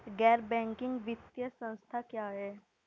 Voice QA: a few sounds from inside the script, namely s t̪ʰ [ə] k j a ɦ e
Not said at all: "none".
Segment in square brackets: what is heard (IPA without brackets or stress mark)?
a